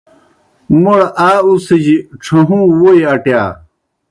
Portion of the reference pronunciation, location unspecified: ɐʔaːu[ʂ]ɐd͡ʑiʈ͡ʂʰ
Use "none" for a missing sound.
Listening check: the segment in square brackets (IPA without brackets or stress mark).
s